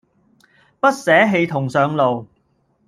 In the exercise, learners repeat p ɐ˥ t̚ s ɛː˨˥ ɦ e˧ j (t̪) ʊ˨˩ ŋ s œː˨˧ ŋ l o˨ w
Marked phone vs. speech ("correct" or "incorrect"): incorrect